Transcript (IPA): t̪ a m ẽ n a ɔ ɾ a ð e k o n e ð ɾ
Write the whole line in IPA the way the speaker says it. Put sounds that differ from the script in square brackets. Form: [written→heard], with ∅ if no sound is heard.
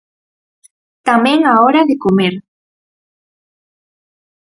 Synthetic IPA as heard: t̪ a m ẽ [n→ŋ] a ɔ ɾ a ð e k o [n→m] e [ð→∅] ɾ